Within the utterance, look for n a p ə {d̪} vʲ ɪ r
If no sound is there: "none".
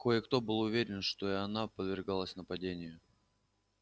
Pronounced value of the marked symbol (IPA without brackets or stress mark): d̪